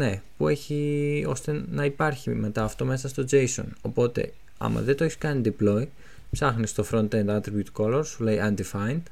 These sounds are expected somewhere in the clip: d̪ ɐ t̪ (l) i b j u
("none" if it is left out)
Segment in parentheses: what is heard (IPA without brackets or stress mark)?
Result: ɾ